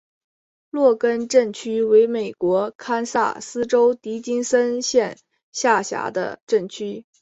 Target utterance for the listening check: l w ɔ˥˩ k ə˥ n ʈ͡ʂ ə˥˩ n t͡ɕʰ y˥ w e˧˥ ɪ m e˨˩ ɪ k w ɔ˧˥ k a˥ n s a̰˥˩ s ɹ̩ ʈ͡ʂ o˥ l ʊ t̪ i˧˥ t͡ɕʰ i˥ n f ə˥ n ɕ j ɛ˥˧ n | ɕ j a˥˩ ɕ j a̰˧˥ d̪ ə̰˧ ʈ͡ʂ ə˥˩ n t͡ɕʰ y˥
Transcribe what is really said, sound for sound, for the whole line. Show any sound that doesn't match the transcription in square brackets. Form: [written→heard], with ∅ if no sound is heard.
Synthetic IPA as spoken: l w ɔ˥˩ k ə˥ n ʈ͡ʂ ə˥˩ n t͡ɕʰ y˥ w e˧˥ ɪ m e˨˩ ɪ k w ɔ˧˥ [k→kʰ] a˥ n s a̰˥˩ s ɹ̩ ʈ͡ʂ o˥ [l→∅] ʊ t̪ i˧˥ [t͡ɕʰ→t͡ɕ] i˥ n [f→s] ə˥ n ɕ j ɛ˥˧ n | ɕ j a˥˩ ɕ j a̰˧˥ d̪ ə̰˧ ʈ͡ʂ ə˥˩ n t͡ɕʰ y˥